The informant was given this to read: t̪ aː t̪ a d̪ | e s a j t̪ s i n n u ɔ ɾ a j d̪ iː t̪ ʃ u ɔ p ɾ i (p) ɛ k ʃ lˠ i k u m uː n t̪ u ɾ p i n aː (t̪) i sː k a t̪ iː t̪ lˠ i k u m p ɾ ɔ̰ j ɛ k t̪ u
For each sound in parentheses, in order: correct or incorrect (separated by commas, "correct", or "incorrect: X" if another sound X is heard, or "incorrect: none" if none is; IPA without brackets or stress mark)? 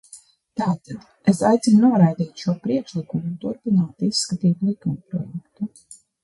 incorrect: none, correct